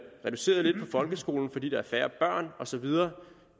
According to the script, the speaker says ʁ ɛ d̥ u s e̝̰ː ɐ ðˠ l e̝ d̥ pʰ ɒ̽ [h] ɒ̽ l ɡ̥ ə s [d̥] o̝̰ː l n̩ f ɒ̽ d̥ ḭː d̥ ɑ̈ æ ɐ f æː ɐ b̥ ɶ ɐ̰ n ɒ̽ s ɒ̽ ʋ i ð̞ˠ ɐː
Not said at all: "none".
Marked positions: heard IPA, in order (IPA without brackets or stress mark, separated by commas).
f, ɡ̥